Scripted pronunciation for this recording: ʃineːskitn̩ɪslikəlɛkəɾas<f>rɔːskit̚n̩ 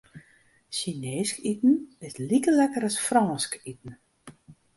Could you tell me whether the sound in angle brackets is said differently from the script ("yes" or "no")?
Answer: no